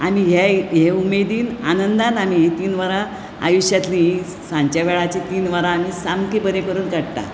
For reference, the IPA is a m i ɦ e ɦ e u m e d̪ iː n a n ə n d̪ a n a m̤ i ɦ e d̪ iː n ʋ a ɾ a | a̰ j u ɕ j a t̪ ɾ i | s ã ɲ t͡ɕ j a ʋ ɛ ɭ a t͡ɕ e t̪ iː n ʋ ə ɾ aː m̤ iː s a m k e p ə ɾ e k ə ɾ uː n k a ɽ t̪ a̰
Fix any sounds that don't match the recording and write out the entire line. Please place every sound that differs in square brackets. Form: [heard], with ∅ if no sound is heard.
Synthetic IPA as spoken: a m i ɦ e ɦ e u m e d̪ iː n a n ə n d̪ a n a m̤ i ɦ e [t̪] iː n ʋ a ɾ a | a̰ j u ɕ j a t̪ [l] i | s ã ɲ t͡ɕ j a ʋ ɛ ɭ a t͡ɕ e t̪ iː n ʋ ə ɾ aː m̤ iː s a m k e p ə ɾ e k ə ɾ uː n k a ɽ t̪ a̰